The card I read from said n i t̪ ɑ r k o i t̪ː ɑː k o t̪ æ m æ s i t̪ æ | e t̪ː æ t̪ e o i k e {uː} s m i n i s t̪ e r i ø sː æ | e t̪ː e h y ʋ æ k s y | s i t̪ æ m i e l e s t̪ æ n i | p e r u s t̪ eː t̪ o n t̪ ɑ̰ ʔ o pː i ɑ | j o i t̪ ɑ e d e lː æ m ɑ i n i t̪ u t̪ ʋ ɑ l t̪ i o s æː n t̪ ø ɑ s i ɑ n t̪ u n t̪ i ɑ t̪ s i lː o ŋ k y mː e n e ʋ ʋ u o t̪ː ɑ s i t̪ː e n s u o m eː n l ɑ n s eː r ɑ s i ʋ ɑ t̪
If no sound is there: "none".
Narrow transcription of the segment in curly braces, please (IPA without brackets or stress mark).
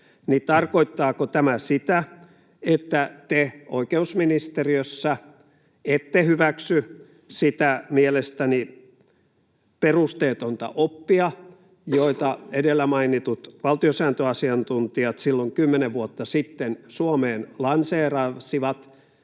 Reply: u